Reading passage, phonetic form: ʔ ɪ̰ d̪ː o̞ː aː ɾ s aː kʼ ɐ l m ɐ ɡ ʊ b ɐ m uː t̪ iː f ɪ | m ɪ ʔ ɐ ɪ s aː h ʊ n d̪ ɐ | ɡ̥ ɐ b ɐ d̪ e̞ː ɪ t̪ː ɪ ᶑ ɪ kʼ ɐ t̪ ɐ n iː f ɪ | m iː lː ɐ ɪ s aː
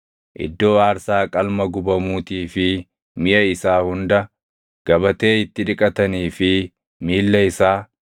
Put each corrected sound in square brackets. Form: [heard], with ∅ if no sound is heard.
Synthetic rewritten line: ʔ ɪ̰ d̪ː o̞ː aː ɾ s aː kʼ ɐ l m ɐ ɡ ʊ b ɐ m uː t̪ iː f ɪ | m ɪ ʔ ɐ ɪ s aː h ʊ n d̪ ɐ | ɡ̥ ɐ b ɐ [t̪] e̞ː ɪ t̪ː ɪ ᶑ ɪ kʼ ɐ t̪ ɐ n iː f ɪ | m iː lː ɐ ɪ s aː